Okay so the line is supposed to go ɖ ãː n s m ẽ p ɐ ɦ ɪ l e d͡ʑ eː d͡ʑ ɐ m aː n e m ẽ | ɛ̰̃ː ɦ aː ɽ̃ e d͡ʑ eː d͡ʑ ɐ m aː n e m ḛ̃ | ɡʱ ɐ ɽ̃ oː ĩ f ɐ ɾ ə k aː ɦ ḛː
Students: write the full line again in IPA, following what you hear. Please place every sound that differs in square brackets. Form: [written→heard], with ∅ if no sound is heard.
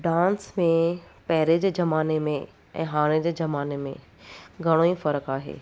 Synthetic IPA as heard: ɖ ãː n s m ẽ p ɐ ɦ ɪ [l→ɾ] e d͡ʑ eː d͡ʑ ɐ m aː n e m ẽ | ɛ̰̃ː ɦ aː ɽ̃ e d͡ʑ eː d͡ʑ ɐ m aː n e m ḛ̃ | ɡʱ ɐ ɽ̃ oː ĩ f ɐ ɾ ə k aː ɦ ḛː

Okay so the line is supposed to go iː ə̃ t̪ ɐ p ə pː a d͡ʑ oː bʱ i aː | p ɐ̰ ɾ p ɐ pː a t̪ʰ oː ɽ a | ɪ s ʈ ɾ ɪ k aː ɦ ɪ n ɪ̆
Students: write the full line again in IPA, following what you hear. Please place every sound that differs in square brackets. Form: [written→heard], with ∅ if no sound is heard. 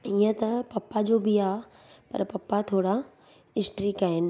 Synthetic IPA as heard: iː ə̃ t̪ ɐ p [ə→ɐ] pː a d͡ʑ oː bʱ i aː | p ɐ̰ ɾ p ɐ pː a t̪ʰ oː ɽ a | ɪ s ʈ ɾ [ɪ→i] k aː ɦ ɪ n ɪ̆

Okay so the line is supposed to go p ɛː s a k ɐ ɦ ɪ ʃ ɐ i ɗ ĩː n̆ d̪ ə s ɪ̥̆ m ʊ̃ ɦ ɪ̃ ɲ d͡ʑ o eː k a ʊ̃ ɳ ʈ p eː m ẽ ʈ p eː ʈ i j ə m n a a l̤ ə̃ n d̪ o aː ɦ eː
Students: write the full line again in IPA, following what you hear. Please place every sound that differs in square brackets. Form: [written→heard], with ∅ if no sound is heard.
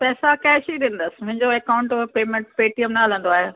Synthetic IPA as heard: p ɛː s a k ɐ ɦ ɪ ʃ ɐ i ɗ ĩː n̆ d̪ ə s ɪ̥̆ m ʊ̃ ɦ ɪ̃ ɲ d͡ʑ o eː k a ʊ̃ ɳ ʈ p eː m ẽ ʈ p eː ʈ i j ə m n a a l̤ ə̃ n d̪ o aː ɦ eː

